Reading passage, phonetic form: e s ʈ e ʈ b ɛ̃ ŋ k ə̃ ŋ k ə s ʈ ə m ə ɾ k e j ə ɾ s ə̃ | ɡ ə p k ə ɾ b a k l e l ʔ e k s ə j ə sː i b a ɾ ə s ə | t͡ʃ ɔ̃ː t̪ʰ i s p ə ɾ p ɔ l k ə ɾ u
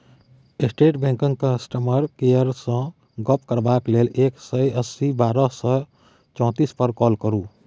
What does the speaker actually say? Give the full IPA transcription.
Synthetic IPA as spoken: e s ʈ e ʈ b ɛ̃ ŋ k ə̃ ŋ k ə s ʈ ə m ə ɾ k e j ə ɾ s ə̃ | ɡ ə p k ə ɾ b a k l e l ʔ e k s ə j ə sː i b a ɾ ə s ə | t͡ʃ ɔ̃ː t̪ i s p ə ɾ k ɔ l k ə ɾ u